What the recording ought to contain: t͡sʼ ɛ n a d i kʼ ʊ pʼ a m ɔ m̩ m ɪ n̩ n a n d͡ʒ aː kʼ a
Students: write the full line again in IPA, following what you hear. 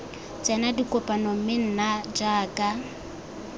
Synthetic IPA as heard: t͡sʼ ɛ n a d i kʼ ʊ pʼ a n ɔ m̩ m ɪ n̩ n a d͡ʒ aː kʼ a

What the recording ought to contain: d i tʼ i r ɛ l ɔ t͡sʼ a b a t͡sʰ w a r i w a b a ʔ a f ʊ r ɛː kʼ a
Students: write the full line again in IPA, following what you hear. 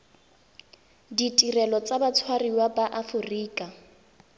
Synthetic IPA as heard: d i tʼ i r ɛ l ɔ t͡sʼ a b a t͡sʰ w a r i w a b a ʔ a f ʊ r iː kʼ a

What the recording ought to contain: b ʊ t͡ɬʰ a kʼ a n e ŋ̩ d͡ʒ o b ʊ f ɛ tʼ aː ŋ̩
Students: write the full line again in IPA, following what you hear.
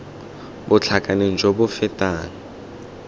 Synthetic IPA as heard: b ʊ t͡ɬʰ a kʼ a n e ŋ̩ d͡ʒ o b ʊ f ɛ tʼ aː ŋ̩

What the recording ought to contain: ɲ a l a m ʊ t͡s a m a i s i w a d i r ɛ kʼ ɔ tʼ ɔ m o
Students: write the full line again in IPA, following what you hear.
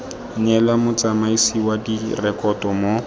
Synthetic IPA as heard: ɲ ɛ l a m ʊ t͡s a m a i s i w a d i r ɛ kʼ ɔ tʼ ɔ m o

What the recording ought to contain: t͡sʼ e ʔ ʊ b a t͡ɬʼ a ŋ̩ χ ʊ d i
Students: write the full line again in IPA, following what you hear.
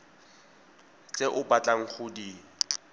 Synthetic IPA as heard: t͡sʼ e ʔ ʊ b a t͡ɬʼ a ŋ̩ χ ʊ d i

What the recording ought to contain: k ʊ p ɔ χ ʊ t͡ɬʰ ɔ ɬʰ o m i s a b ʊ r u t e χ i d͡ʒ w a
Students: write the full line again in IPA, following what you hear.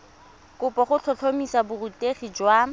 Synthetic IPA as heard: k ʊ p ɔ χ ʊ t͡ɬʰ ɔ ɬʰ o m i s a b ʊ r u t e χ i d͡ʒ w a

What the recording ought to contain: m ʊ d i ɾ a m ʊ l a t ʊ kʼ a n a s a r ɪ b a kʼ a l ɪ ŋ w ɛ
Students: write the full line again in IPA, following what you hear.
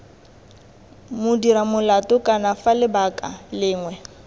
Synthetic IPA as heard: m ʊ d i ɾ a m ʊ l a t ʊ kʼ a n a f a l ɪ b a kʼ a l ɪː ŋ w ɛ

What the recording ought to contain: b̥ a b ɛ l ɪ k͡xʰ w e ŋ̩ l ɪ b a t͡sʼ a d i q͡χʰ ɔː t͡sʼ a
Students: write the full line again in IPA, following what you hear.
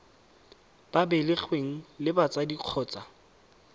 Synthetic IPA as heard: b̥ a b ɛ l ɪ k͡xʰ w e ŋ̩ l ɪ b a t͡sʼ a d i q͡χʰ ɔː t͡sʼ a

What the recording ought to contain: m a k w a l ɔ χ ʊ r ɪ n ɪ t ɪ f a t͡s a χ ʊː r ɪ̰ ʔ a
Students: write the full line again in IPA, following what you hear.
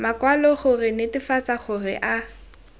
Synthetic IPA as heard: m a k w a l ɔ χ ʊ r ɪ n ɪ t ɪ f a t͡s a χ ʊ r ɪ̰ ʔ a

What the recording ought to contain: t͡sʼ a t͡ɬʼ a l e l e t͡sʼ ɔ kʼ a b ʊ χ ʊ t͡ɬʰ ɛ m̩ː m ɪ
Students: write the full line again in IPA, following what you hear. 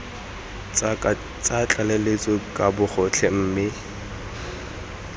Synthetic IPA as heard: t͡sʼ a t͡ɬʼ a l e l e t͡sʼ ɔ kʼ a b ʊ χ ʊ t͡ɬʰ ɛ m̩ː m ɪ

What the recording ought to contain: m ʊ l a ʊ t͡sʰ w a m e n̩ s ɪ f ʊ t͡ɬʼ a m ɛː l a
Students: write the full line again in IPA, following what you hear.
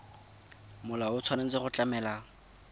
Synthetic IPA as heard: m ʊ l a ʊ t͡sʰ w a n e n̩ t͡s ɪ χ ʊ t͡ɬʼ a m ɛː l a

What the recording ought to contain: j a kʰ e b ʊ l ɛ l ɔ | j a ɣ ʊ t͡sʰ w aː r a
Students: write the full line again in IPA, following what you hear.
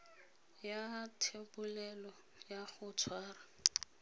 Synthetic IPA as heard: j a tʰ e b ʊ l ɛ l ɔ | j a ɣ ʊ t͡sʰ w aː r a

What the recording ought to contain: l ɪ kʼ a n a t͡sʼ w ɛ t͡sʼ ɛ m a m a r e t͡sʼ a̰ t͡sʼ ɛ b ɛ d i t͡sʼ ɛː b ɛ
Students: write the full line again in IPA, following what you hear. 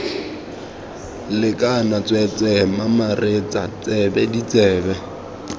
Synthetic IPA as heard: l ɪ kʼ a n a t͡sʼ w ɛ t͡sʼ ɛ m a m a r e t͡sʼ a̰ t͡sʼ ɛ b ɛ d i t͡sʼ ɛː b ɛ

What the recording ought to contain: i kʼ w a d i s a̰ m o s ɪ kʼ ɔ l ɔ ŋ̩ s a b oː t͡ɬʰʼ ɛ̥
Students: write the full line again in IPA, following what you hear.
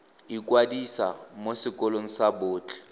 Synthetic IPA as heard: i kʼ w a d i s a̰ m o s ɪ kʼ ɔ l o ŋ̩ s a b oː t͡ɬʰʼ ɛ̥

